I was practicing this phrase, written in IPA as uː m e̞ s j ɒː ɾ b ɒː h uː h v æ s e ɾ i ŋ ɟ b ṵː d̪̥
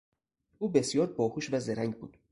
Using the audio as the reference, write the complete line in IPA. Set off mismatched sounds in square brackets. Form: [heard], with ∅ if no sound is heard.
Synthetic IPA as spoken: uː [b] e̞ s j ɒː ɾ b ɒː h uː [ʃ] v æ [z] e ɾ [æ] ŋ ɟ b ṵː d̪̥